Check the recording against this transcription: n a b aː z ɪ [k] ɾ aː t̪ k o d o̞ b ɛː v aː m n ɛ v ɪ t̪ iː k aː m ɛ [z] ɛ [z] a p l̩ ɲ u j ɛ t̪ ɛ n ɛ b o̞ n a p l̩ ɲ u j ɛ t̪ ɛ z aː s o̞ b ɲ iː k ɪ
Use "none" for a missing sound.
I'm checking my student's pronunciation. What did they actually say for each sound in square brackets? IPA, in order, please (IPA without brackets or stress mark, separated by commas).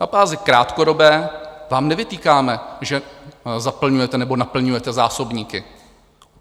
k, ʒ, z